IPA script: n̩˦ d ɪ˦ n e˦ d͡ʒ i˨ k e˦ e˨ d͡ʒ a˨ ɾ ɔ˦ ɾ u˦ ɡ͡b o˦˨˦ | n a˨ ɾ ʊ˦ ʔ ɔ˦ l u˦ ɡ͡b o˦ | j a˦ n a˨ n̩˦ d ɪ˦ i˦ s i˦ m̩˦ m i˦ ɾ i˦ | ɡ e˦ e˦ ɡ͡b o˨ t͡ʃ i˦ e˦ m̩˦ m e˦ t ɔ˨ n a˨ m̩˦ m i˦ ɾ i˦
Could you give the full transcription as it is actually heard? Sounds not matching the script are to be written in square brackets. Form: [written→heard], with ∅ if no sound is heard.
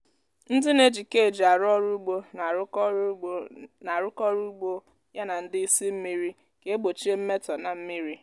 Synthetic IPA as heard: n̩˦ d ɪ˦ n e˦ d͡ʒ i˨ k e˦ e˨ d͡ʒ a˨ ɾ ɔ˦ ɾ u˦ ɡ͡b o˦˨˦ | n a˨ ɾ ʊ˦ [ʔ→k] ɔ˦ [l→ɾ] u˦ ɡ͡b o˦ | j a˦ n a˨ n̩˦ d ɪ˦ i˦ s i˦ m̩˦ m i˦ ɾ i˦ | [ɡ→k] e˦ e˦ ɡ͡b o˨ t͡ʃ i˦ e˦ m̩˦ m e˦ t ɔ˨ n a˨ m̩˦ m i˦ ɾ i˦

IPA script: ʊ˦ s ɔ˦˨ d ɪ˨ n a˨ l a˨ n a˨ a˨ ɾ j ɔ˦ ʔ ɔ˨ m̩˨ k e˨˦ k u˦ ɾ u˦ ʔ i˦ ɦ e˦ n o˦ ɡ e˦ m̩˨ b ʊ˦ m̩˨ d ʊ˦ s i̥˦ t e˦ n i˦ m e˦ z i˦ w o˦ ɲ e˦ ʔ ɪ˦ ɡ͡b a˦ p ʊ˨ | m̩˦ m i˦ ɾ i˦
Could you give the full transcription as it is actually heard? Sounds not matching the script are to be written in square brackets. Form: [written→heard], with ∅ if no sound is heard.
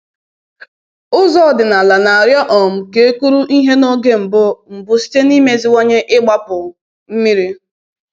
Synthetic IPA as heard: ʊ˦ [s→z] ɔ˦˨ d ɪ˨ n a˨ l a˨ n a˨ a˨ ɾ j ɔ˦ ʔ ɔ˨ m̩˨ k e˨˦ k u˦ ɾ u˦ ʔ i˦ ɦ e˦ n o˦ ɡ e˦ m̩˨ b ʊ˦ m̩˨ [d→b] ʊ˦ s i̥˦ t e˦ n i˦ m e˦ z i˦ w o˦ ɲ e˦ ʔ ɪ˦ ɡ͡b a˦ p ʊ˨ | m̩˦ m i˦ ɾ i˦

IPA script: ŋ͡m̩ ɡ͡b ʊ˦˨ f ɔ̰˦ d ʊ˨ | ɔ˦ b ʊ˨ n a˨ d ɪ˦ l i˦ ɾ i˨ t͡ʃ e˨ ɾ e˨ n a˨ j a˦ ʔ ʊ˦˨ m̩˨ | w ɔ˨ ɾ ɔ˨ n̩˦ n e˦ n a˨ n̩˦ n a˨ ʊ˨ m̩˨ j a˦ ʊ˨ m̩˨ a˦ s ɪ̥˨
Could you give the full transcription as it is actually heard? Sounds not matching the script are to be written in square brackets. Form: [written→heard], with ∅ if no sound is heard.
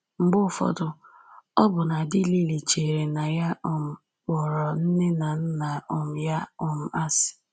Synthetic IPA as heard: ŋ͡m̩ ɡ͡b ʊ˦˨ f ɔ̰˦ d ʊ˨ | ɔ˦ b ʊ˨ n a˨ d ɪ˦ l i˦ [ɾ→l] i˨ t͡ʃ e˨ ɾ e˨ n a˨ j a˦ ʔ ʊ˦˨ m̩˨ | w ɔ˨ ɾ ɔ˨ n̩˦ n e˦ n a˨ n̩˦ n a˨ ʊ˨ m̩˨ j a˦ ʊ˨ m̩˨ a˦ s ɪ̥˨

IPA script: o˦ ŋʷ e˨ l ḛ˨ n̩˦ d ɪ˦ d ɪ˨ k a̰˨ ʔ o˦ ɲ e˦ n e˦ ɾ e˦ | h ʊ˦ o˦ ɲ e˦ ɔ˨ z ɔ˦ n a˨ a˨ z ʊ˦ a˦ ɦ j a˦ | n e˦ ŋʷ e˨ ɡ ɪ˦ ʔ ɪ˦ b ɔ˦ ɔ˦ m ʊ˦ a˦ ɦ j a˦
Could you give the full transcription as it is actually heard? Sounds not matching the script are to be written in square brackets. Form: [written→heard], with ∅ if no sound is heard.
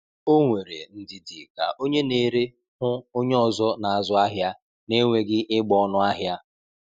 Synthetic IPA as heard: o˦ ŋʷ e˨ [l→ɾ] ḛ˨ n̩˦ d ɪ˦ d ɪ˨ k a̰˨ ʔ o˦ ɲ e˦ n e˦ ɾ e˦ | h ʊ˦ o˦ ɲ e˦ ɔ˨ z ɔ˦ n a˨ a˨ z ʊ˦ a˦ ɦ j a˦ | n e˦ ŋʷ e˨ ɡ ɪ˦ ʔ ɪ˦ [b→ɡ͡b] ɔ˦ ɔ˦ [m→n] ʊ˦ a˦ ɦ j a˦

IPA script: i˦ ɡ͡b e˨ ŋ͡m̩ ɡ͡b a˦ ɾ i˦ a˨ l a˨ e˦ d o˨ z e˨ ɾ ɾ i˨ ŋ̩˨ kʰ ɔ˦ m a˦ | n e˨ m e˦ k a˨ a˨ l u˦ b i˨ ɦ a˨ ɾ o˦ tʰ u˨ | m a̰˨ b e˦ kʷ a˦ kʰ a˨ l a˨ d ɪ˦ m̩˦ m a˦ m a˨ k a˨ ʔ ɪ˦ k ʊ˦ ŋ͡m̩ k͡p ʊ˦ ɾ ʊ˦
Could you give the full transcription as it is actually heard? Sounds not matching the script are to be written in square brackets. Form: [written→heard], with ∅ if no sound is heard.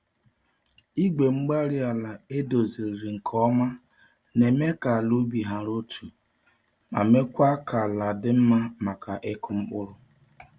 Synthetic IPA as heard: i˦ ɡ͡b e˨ ŋ͡m̩ ɡ͡b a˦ ɾ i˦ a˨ l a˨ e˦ d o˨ z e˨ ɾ ɾ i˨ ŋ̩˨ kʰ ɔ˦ m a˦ | n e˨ m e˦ k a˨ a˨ l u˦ b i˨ ɦ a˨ ɾ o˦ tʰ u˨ | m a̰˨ [b→m] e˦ kʷ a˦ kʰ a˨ l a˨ d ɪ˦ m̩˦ m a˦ m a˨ k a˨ ʔ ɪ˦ k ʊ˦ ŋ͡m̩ k͡p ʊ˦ ɾ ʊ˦

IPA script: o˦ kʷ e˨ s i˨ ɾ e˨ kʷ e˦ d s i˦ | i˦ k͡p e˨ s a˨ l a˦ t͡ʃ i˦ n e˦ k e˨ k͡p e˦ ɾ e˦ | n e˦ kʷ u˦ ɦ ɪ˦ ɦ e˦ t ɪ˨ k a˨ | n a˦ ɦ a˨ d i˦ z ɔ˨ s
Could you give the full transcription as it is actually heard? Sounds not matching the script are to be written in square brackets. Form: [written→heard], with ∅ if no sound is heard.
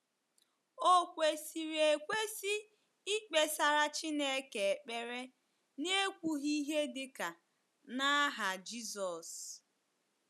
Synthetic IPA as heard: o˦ kʷ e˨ s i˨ ɾ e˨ kʷ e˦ [d→∅] s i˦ | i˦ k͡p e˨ s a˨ [l→ɾ] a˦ t͡ʃ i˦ n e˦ k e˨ k͡p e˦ ɾ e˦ | n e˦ kʷ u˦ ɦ [ɪ˦→i˦] ɦ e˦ [t→d] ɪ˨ k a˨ | n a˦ ɦ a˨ [d→d͡ʒ] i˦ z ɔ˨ s

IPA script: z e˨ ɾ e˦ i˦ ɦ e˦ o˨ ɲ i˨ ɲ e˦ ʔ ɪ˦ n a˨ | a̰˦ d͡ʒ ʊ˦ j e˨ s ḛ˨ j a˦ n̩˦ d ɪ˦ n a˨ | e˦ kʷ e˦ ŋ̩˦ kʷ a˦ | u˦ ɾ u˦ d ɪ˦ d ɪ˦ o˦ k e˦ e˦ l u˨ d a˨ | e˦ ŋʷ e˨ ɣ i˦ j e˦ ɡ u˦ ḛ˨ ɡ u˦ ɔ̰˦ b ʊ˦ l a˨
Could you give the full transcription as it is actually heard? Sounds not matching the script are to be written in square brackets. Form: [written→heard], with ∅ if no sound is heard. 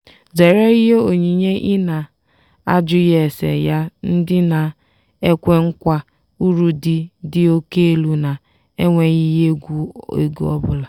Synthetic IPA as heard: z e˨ ɾ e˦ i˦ ɦ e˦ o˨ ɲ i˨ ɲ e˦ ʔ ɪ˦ n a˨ | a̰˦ d͡ʒ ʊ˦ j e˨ s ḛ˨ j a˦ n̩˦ d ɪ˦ n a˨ | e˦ kʷ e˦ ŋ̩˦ kʷ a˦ | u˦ ɾ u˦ d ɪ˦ d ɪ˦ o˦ k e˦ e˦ l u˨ [d→n] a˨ | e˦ ŋʷ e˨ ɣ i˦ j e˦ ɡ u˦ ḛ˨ ɡ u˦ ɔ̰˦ b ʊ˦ l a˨

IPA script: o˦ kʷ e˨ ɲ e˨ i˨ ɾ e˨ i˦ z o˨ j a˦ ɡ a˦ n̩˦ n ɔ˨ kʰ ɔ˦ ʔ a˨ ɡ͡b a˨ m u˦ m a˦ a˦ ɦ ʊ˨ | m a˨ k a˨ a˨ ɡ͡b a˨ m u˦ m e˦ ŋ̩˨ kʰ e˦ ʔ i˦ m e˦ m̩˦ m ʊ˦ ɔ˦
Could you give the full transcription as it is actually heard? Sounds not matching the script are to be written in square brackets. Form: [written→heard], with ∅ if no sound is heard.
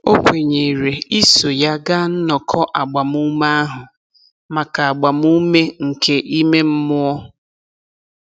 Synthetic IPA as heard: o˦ kʷ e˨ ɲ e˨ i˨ ɾ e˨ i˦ [z→s] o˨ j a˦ ɡ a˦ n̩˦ n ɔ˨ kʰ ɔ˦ ʔ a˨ ɡ͡b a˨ m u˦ m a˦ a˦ ɦ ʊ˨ | m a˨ k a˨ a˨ ɡ͡b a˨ m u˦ m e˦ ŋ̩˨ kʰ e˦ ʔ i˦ m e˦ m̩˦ m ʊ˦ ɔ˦

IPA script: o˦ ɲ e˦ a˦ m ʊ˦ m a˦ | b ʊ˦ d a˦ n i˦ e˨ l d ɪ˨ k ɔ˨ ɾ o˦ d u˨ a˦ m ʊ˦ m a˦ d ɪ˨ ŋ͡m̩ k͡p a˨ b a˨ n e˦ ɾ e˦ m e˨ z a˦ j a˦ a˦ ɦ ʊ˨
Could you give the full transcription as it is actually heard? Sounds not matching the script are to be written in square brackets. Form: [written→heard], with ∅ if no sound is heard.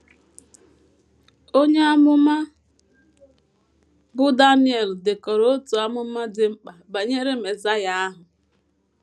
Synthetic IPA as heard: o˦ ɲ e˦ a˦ m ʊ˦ m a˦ | b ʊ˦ d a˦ n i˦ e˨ l d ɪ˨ k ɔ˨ ɾ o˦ [d→t] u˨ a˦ m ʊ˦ m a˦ d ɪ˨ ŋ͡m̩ k͡p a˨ b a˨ [n→ɲ] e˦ ɾ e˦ m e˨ z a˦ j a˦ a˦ ɦ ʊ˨

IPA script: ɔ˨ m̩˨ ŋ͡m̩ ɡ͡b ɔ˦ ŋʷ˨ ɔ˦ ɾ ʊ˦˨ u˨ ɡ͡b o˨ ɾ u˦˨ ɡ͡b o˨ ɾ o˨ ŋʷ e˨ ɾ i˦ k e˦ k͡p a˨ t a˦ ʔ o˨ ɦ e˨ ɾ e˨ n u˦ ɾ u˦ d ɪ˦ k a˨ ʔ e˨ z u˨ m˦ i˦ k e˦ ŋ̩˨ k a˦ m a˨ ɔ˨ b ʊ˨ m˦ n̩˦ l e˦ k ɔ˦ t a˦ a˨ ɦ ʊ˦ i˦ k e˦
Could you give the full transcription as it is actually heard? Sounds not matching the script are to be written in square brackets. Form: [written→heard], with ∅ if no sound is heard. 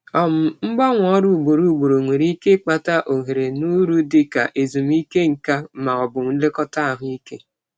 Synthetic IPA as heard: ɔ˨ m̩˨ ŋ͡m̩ ɡ͡b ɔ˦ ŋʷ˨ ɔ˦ ɾ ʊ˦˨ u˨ ɡ͡b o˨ ɾ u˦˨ ɡ͡b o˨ ɾ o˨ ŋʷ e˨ ɾ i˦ k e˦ k͡p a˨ t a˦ ʔ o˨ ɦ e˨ ɾ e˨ n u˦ ɾ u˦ d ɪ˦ k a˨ ʔ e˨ z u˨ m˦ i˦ k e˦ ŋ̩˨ k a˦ m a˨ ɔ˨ b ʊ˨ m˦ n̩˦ l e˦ k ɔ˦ t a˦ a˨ ɦ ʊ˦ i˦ k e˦

